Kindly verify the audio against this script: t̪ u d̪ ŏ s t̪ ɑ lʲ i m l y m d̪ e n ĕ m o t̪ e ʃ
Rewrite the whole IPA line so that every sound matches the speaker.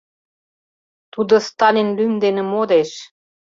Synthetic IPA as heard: t̪ u d̪ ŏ s t̪ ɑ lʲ i n l y m d̪ e n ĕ m o d̪ e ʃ

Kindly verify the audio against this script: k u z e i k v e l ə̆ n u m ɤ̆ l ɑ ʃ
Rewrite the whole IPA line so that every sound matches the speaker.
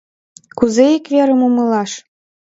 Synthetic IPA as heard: k u z e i k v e ɾ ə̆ m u m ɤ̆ l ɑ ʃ

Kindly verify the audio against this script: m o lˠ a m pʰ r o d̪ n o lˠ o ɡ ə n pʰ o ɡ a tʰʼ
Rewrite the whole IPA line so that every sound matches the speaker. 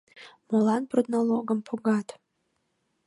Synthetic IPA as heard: m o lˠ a n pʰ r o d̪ n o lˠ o ɡ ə m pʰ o ɡ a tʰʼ

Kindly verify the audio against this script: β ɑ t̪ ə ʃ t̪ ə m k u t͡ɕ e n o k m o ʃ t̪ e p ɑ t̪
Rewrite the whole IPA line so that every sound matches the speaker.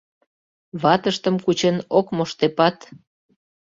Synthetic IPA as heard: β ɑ t̪ ə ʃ t̪ ə m k u t͡ɕ e n o k m o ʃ t̪ e p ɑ t̪

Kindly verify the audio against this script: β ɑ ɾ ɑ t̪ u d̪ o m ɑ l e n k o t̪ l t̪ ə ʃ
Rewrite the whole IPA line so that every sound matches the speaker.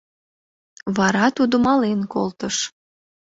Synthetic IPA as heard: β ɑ ɾ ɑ t̪ u d̪ o m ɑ l e n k o l t̪ ə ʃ

